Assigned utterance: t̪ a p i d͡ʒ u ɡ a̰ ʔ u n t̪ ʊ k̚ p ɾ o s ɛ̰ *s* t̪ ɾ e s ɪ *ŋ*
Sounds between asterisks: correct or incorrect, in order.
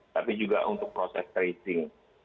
correct, correct

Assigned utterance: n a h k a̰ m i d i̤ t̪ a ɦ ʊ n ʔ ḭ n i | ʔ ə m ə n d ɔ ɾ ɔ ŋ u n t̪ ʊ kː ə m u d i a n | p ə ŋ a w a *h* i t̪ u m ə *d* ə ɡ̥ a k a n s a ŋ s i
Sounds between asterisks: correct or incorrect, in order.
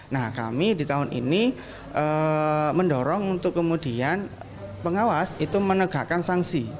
incorrect: s, incorrect: n

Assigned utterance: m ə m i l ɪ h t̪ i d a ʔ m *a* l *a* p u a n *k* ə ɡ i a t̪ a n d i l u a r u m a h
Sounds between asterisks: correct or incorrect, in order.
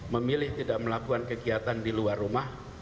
incorrect: ə, correct, correct

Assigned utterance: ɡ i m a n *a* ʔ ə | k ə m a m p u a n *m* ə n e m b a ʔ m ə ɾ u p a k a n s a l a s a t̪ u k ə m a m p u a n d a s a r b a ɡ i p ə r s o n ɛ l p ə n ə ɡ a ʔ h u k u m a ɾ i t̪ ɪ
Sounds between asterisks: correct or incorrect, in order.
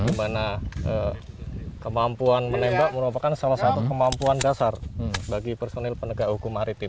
correct, correct

